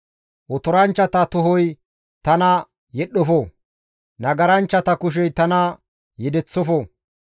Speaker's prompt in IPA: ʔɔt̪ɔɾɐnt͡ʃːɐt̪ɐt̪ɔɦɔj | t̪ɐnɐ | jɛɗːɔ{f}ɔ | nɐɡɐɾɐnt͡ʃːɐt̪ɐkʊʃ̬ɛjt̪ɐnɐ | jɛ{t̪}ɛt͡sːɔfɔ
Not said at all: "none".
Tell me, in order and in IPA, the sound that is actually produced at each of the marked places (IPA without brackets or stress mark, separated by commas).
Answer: f, d̪